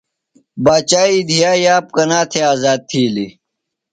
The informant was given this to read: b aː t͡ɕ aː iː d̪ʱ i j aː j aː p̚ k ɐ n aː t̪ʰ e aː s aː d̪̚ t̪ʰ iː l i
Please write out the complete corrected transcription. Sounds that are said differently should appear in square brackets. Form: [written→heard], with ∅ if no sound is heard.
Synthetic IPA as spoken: b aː t͡ɕ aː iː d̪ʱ i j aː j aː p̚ k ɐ n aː t̪ʰ e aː [s→z] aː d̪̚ t̪ʰ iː l i